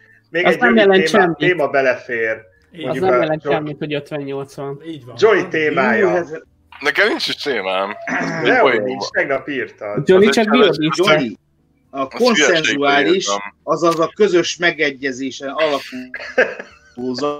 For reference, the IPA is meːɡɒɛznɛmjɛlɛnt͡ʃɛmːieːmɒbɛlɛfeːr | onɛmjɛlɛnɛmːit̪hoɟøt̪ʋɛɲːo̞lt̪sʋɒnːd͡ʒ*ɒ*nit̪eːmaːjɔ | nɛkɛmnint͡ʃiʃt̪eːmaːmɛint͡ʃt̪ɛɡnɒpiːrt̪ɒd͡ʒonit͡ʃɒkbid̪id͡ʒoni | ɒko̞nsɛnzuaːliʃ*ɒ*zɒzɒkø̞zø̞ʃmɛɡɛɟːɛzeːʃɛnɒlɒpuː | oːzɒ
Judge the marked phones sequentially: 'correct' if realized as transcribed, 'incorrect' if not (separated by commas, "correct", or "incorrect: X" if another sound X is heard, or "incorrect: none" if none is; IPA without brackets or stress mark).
incorrect: o, correct